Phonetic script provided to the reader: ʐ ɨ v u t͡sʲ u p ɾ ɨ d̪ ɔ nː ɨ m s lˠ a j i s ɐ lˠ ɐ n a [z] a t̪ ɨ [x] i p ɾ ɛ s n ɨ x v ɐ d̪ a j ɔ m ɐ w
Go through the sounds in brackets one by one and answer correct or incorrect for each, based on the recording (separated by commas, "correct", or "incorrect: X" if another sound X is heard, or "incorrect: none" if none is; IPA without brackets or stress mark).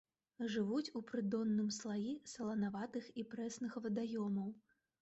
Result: incorrect: v, correct